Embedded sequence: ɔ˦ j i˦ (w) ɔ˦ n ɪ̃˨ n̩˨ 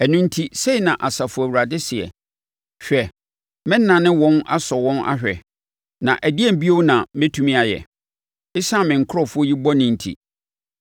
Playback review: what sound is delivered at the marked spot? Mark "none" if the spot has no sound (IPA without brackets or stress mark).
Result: b